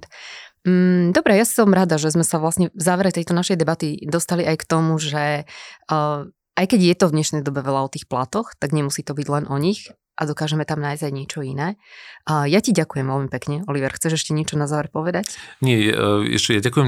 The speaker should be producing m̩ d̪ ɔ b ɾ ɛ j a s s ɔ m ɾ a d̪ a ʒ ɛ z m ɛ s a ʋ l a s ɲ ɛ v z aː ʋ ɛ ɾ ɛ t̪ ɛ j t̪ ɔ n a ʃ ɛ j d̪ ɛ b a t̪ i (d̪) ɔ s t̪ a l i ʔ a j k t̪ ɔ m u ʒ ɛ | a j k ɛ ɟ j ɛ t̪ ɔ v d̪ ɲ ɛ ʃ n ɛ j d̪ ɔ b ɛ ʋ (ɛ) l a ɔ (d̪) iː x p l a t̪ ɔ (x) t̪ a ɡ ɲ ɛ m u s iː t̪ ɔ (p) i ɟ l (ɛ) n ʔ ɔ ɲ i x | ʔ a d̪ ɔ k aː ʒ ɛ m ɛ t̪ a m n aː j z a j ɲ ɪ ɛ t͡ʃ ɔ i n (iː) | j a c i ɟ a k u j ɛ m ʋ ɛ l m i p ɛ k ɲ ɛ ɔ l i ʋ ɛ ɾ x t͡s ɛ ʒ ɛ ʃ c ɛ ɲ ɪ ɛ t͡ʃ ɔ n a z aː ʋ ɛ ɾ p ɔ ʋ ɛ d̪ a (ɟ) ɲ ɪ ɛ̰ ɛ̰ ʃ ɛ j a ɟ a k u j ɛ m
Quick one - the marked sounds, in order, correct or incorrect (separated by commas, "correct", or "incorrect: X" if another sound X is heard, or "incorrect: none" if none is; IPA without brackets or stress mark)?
correct, correct, incorrect: t̪, correct, incorrect: b, correct, incorrect: ɛː, incorrect: c